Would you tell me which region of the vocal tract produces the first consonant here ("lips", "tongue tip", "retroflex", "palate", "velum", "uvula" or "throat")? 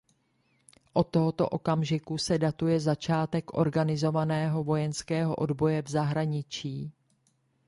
throat